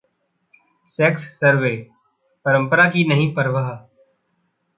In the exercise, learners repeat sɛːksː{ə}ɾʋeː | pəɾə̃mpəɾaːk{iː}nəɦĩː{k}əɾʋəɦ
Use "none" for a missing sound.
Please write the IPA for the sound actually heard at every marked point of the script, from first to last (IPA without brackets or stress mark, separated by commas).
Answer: ə, iː, p